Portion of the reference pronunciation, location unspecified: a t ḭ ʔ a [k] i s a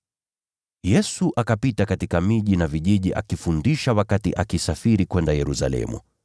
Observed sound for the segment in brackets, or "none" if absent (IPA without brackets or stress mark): k